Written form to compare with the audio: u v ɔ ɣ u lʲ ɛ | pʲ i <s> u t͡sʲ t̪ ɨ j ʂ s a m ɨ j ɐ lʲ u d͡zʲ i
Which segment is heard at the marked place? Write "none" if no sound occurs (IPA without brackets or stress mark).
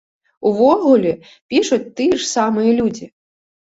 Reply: ʂ